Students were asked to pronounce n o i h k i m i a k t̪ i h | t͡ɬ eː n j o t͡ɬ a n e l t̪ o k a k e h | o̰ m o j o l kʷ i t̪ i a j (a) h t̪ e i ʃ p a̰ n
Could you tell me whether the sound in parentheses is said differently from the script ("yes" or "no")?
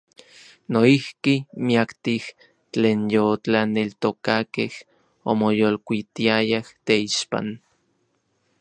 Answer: no